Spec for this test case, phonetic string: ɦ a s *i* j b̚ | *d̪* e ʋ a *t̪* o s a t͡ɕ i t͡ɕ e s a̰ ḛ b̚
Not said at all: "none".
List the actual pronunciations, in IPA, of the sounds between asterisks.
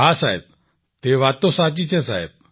a, t̪, t̪

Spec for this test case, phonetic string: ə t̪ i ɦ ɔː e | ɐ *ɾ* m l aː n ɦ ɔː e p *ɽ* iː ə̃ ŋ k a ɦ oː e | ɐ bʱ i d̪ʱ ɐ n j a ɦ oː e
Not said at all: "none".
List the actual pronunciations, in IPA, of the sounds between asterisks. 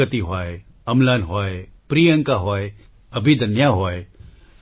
none, ɾ

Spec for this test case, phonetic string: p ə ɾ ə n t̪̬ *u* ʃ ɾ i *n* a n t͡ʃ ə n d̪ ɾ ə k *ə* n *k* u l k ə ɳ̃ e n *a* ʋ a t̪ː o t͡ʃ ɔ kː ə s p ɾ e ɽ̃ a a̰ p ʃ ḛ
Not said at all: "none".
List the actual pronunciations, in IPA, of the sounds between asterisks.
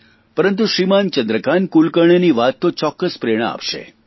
u, m, a, k, i

